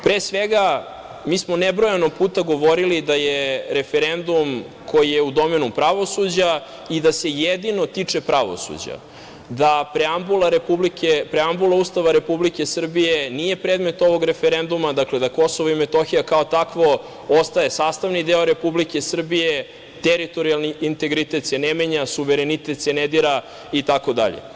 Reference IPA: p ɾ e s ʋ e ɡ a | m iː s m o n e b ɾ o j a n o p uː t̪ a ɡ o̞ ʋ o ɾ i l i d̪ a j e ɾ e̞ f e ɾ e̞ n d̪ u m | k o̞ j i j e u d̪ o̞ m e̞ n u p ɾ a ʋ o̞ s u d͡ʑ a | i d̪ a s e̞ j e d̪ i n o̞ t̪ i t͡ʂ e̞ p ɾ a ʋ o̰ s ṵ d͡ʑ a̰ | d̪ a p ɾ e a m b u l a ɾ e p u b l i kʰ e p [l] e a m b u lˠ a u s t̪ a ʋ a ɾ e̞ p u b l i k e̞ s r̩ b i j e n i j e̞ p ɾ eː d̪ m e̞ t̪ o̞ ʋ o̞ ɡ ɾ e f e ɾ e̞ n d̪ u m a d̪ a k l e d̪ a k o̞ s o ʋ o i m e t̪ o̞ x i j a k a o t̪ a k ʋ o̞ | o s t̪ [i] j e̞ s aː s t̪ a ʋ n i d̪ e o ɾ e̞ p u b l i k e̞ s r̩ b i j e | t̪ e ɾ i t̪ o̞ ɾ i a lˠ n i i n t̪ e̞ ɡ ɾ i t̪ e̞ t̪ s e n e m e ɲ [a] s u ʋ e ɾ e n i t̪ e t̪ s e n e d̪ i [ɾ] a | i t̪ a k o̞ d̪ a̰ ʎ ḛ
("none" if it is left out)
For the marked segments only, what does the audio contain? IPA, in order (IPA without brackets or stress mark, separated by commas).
ɾ, a, a, ɾ